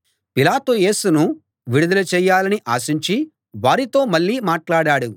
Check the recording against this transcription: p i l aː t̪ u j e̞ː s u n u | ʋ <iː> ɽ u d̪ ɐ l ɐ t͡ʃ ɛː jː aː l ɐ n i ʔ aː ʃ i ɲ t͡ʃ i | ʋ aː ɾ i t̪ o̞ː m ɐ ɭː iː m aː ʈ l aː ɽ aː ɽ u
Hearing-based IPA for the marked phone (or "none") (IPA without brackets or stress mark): i